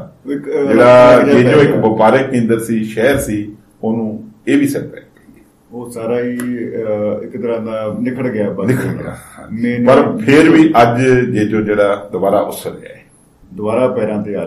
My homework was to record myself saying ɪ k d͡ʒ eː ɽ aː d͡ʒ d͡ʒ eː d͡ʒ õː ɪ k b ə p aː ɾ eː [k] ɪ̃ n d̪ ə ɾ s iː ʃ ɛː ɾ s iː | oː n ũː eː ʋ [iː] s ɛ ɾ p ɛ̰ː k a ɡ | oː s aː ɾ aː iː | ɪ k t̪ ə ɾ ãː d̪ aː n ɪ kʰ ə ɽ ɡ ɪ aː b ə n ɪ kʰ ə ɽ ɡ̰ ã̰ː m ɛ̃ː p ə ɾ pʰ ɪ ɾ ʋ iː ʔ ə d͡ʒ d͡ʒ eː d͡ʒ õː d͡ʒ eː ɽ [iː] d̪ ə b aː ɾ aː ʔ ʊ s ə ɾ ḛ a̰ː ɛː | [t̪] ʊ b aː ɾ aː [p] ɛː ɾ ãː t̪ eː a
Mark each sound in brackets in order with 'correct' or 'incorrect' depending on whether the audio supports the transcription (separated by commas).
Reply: correct, correct, incorrect, incorrect, correct